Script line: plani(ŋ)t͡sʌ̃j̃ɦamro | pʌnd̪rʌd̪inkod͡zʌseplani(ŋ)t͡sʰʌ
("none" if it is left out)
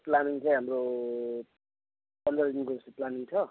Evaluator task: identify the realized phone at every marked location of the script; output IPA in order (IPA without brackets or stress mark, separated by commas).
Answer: ŋ, ŋ